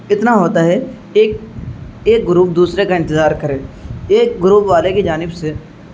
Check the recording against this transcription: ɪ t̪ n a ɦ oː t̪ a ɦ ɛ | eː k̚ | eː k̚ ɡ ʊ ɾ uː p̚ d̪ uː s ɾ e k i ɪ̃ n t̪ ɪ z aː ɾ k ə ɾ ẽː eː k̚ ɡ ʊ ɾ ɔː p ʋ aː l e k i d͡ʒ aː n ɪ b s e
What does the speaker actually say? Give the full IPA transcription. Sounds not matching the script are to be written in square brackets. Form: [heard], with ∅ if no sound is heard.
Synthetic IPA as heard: ɪ t̪ n a ɦ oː t̪ a ɦ ɛ | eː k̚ | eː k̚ ɡ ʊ ɾ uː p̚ d̪ uː s ɾ e k [a] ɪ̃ n t̪ ɪ z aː ɾ k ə ɾ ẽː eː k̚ ɡ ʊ ɾ [uː] p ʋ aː l e k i d͡ʒ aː n ɪ b s e